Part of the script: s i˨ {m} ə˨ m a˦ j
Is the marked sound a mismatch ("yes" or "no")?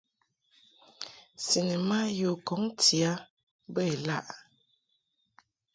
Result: yes